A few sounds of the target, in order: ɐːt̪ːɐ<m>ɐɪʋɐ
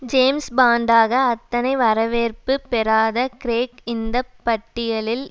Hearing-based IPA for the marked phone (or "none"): n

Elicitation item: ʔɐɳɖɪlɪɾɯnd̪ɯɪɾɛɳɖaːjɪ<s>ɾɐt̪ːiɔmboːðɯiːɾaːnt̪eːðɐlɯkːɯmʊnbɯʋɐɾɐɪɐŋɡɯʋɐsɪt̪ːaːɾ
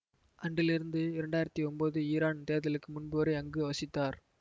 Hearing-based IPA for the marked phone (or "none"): none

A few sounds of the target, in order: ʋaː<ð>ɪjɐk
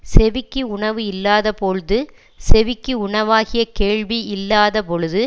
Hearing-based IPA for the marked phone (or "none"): ɣ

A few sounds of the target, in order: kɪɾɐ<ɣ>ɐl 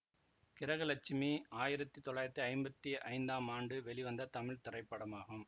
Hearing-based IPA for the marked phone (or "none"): ɣ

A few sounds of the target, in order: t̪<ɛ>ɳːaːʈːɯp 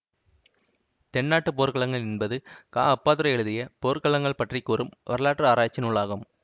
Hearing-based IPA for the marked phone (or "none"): ɛ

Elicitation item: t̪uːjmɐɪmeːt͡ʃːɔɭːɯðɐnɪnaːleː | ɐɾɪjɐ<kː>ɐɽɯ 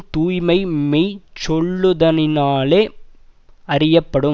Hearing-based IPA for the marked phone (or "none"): pː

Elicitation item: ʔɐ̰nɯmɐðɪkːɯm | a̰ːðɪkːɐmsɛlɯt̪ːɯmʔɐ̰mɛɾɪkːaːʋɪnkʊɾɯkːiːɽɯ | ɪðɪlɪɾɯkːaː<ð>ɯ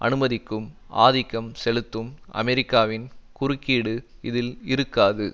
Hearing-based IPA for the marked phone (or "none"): ð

